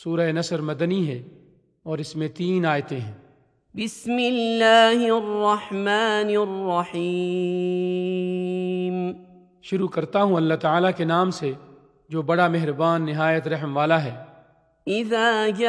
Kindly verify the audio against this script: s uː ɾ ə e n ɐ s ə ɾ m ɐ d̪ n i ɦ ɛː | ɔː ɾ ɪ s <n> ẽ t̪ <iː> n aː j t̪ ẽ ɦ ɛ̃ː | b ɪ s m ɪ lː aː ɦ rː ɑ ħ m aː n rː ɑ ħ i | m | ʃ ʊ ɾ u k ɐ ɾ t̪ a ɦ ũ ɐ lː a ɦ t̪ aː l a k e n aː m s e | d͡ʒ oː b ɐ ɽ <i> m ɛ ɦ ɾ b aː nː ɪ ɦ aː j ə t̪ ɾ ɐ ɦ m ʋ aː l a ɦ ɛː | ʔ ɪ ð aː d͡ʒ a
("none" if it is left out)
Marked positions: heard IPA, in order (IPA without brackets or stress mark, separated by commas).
m, iː, a